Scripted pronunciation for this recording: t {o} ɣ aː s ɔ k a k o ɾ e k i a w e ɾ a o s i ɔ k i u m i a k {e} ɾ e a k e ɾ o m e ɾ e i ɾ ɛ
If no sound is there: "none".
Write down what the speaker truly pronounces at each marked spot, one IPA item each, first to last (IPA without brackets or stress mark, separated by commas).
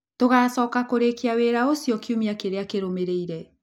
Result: o, e